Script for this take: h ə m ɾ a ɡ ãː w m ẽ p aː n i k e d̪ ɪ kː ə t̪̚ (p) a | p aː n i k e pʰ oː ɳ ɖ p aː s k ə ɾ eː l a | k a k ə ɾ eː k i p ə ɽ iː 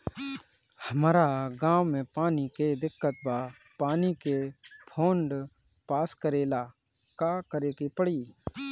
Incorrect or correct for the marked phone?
incorrect: b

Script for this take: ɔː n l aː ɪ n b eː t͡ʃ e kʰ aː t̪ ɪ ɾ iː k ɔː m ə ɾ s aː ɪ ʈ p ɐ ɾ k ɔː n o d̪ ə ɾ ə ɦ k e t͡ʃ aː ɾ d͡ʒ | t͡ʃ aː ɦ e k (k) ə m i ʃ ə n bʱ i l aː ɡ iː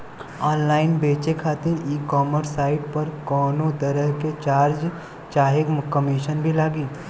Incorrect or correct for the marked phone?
correct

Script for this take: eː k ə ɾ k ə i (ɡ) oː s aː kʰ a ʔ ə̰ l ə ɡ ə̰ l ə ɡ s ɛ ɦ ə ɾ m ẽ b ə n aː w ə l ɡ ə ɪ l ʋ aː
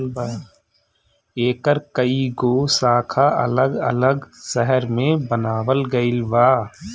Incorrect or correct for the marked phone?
correct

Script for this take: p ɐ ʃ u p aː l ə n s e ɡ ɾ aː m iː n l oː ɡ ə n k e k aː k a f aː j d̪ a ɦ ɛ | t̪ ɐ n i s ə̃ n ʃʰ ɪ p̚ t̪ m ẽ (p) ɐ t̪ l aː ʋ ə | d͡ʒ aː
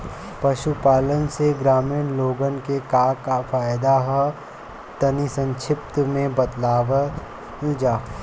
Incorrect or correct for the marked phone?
incorrect: b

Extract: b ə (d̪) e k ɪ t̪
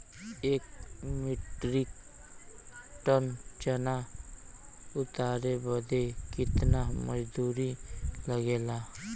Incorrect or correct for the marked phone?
correct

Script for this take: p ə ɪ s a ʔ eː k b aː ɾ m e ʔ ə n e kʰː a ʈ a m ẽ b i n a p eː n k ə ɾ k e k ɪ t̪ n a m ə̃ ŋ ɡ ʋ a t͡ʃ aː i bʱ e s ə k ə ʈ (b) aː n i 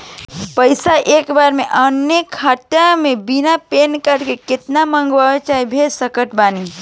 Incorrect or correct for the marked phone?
correct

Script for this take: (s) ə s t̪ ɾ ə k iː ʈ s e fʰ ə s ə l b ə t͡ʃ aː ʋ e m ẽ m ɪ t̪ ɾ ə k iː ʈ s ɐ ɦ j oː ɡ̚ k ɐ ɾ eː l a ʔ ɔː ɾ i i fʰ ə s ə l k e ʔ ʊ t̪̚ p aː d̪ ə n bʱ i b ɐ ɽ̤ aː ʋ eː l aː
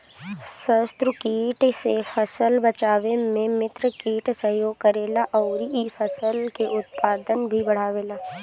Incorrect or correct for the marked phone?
correct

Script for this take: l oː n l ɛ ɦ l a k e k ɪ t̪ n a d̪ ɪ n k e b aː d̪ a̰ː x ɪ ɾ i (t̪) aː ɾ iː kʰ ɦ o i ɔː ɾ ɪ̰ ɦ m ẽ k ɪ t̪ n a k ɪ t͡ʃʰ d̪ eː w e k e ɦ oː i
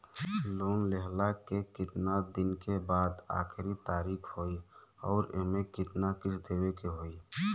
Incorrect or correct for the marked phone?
correct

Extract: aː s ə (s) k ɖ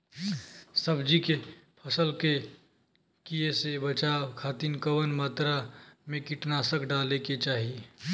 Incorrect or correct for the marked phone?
incorrect: none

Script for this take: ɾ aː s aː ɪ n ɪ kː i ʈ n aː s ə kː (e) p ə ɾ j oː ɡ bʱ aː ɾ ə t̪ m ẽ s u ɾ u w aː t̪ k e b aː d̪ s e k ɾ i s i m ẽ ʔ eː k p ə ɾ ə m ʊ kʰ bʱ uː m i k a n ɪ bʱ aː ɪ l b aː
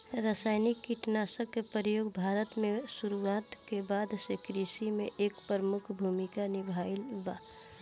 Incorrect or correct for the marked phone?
correct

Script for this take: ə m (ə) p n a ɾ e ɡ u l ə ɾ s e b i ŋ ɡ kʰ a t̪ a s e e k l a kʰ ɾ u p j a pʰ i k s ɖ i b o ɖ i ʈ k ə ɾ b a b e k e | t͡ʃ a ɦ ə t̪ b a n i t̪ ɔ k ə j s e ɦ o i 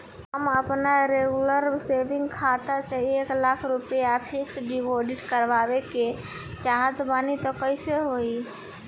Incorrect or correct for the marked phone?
correct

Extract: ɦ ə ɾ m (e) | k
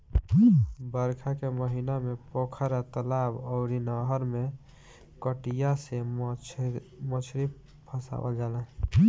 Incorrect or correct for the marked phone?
correct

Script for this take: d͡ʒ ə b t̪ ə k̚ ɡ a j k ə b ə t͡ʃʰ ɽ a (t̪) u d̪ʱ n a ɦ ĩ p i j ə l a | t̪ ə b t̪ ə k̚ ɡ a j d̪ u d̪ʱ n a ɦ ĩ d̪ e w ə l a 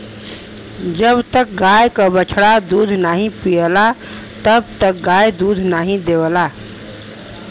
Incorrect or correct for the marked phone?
incorrect: d̪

